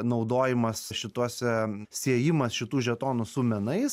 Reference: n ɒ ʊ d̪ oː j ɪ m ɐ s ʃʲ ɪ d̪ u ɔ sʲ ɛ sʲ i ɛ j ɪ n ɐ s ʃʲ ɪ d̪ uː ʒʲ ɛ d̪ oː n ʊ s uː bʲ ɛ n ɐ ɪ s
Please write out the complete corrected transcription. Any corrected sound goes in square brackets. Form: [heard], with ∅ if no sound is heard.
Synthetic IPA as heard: n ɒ ʊ d̪ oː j ɪ m ɐ s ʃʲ ɪ [t̪] u ɔ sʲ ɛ sʲ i ɛ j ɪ [m] ɐ s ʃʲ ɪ [t̪] uː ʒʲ ɛ [t̪] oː n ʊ s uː [mʲ] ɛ n ɐ ɪ s